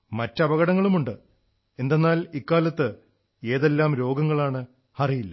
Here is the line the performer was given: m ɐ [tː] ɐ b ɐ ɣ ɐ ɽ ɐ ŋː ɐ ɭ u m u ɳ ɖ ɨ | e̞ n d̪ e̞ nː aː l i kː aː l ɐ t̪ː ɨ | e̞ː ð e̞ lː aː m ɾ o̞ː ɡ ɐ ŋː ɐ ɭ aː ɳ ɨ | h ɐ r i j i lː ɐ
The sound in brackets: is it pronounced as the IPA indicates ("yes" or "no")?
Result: yes